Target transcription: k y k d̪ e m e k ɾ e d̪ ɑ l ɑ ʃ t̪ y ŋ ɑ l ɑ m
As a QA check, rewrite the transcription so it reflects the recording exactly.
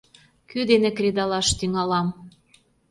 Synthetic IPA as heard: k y d̪ e n e k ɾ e d̪ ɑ l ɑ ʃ t̪ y ŋ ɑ l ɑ m